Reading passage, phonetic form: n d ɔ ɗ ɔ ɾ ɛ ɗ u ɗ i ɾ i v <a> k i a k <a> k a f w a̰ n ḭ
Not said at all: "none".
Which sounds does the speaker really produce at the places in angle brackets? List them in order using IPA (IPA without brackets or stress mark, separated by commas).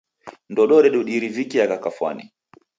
i, a